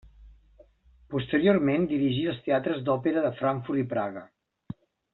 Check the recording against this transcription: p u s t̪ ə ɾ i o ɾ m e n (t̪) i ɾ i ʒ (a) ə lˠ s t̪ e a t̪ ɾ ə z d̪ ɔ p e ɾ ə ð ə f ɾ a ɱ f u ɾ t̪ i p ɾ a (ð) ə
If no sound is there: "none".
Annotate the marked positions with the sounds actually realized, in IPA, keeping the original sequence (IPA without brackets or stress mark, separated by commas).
d̪, i, ɣ